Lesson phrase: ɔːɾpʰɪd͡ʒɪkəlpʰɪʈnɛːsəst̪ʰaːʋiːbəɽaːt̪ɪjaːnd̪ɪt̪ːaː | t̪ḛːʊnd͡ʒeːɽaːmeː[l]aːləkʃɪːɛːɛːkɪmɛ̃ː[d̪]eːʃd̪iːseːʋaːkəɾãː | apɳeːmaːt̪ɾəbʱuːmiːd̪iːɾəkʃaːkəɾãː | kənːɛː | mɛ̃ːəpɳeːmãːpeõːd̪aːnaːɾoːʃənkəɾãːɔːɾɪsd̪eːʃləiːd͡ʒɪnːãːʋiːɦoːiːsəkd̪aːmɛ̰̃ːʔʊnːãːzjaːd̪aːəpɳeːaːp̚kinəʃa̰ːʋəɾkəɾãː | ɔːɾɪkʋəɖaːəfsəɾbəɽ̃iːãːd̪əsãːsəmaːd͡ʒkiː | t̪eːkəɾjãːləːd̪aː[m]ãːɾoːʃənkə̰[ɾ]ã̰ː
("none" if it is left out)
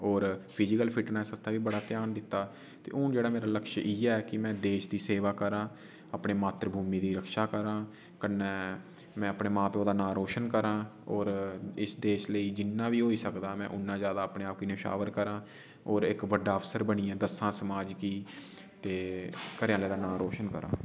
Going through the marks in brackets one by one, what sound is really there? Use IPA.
ɾ, d̪, n, ɾ

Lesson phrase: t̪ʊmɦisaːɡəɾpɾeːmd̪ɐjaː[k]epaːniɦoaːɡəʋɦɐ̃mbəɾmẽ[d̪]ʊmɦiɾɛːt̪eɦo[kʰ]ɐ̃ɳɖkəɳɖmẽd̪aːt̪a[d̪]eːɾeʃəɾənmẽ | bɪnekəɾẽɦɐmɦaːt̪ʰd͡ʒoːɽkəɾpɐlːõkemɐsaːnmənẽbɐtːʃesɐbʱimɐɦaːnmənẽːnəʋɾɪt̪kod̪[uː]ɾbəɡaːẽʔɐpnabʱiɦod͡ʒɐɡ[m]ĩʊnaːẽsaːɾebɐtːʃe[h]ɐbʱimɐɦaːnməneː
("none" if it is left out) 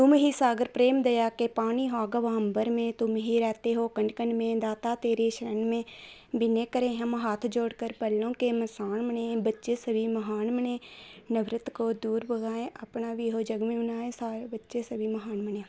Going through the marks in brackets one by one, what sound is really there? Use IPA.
k, t̪, k, t̪, uː, m, s

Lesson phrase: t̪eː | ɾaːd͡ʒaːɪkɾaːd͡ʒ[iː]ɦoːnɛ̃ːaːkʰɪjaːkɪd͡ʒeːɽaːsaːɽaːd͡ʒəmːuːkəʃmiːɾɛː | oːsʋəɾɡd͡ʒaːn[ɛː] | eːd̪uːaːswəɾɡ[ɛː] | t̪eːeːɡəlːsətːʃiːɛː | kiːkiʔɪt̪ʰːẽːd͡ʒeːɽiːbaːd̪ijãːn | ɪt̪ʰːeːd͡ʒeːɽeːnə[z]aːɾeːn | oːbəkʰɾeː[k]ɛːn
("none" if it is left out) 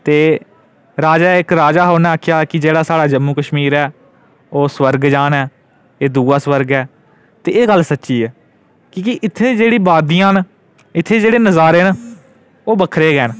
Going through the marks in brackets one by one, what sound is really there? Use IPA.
aː, ɛː, ɛː, z, ɡ

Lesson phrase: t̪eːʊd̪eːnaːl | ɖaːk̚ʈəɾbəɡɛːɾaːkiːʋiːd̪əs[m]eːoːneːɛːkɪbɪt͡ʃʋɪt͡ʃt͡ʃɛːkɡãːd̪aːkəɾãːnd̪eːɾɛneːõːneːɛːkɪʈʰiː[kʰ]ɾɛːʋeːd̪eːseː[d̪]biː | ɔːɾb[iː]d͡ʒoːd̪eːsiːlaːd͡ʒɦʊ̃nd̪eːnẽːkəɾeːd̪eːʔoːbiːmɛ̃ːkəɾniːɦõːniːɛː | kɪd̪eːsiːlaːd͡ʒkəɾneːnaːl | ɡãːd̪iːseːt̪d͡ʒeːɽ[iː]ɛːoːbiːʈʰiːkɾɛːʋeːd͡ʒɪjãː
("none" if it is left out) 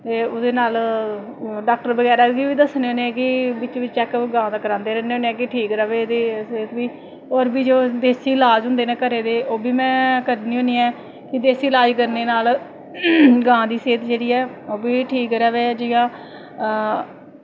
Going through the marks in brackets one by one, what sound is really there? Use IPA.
n, k, t̪, iː, iː

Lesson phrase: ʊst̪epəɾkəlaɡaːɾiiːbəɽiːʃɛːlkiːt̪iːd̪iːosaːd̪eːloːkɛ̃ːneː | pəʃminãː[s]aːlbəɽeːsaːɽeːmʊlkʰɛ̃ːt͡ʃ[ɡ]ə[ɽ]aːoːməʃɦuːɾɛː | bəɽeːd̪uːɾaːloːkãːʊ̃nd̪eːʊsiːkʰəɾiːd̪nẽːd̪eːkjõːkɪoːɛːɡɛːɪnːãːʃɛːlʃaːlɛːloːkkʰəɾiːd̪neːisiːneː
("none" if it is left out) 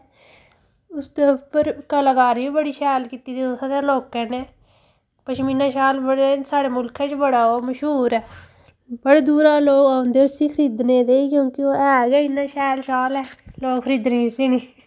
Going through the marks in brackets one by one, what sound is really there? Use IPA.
ʃ, b, ɽ

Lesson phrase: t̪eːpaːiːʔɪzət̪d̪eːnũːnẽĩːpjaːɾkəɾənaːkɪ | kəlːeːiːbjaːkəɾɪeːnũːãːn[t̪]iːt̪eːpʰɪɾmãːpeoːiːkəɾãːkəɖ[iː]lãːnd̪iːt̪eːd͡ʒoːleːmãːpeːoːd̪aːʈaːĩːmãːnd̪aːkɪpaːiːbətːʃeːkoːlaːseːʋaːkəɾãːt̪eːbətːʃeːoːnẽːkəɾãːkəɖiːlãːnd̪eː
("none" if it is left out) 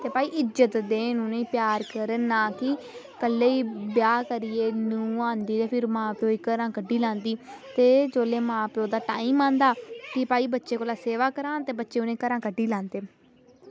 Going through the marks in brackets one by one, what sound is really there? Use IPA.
d̪, iː

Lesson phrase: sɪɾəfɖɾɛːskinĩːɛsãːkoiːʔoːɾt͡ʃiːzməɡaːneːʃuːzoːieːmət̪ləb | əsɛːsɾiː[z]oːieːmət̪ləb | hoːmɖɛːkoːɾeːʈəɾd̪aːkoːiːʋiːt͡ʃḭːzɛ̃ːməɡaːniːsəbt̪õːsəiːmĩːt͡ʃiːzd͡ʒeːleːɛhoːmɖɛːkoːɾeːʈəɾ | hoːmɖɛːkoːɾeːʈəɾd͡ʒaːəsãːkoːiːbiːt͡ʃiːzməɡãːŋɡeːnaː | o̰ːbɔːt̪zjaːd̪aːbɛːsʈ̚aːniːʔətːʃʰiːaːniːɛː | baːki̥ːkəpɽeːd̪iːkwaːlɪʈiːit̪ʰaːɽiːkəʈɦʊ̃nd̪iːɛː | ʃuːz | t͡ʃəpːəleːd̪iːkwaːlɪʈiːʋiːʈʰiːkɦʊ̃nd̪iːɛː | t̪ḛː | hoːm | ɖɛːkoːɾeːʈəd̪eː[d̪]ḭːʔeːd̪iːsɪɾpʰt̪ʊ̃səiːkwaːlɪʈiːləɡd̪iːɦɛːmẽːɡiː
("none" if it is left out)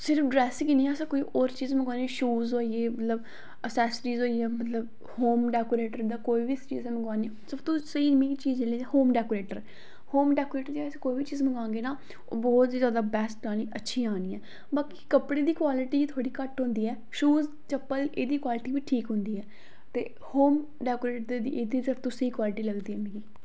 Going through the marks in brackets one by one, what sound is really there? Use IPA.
z, d̪

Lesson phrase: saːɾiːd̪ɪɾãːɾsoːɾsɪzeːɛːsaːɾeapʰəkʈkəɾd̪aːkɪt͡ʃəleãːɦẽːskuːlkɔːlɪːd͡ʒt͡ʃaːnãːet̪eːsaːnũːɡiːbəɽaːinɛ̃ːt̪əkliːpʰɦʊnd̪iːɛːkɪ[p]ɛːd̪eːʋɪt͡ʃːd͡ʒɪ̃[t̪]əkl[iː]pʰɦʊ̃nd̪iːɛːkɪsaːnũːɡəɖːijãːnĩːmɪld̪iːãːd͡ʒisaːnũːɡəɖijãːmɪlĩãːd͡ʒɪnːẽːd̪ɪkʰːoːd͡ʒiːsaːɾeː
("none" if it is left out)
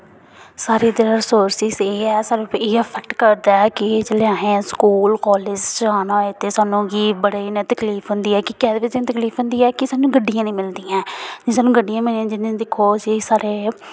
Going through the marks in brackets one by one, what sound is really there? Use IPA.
k, t̪, iː

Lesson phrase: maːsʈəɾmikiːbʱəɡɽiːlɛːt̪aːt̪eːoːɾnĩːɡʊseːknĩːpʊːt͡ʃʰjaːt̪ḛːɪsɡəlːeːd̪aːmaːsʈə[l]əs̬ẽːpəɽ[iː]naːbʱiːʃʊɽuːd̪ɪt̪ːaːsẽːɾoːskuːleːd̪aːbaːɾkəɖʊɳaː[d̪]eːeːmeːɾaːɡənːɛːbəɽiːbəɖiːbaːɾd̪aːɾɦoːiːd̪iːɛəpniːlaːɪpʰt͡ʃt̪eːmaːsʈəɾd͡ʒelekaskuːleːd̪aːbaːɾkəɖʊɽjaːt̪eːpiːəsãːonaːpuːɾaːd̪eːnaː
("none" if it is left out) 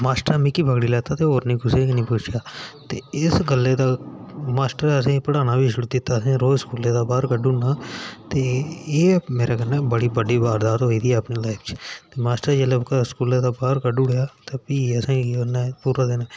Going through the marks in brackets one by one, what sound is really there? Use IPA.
ɾ, aː, t̪

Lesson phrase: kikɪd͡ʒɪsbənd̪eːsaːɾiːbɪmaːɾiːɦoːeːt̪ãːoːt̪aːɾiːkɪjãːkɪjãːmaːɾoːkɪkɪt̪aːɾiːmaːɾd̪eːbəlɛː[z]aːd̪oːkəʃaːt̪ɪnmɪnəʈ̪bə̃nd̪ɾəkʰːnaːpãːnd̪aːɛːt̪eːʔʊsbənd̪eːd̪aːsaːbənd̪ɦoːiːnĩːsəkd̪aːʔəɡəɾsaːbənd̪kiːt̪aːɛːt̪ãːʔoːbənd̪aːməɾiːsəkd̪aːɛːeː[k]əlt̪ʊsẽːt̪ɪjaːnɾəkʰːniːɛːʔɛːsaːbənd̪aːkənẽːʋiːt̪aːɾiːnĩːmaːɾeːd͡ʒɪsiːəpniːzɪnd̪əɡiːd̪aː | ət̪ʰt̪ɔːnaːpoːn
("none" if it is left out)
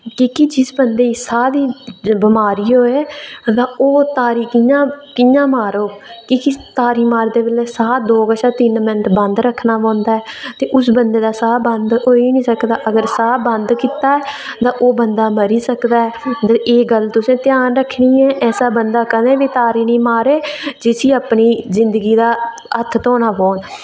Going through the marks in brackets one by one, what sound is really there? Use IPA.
s, ɡ

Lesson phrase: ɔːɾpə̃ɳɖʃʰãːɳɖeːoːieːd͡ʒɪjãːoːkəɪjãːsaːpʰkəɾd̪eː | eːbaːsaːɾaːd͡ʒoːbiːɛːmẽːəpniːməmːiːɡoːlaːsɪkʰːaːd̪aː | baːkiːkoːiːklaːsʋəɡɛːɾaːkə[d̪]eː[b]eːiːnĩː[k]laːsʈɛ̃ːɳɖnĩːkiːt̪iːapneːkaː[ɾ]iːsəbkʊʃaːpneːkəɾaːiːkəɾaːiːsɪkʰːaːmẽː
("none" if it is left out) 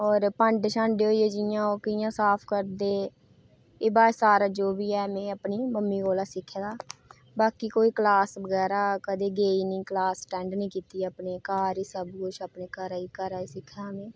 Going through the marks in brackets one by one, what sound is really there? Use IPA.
d̪, ɡ, k, ɾ

